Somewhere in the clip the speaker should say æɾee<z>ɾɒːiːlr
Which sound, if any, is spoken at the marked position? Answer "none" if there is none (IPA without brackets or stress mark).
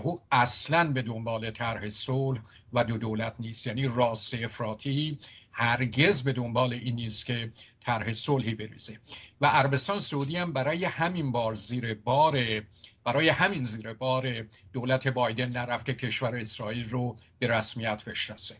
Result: s